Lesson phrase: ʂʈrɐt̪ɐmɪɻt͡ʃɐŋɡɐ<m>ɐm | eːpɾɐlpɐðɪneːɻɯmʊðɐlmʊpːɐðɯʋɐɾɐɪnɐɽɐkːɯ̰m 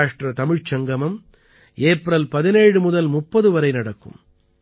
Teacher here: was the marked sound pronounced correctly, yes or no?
yes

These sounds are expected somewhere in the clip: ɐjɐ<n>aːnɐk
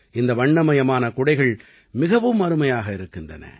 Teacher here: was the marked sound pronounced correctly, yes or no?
no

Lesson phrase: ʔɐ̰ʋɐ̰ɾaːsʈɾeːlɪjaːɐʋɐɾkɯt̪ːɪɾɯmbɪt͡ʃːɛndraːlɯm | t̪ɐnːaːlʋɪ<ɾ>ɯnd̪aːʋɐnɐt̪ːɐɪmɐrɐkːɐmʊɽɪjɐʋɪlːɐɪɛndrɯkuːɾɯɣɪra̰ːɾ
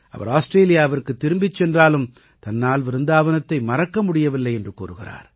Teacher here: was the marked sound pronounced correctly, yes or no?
yes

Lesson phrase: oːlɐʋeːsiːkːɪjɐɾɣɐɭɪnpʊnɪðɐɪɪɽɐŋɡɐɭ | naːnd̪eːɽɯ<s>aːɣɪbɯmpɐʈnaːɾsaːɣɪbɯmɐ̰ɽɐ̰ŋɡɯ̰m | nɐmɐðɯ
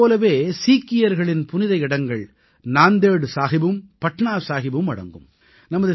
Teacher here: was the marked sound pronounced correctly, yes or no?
yes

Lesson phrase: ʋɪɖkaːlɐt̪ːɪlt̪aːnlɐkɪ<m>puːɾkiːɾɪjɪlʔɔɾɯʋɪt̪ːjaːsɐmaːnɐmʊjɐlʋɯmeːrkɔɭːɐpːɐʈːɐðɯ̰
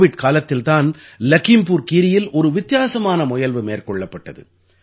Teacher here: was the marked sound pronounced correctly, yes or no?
yes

